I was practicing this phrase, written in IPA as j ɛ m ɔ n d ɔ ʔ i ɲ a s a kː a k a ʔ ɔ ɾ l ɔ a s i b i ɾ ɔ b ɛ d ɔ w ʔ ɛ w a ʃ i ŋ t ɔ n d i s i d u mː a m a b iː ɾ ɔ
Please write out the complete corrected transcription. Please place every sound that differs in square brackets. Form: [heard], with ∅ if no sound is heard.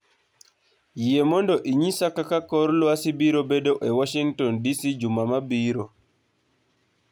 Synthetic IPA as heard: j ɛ m ɔ n d ɔ ʔ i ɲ [i] s a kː a k a [k] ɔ ɾ l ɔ a s i b i ɾ ɔ b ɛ d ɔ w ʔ ɛ w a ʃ i ŋ t ɔ n d i s i [d͡ʒ] u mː a m a b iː ɾ ɔ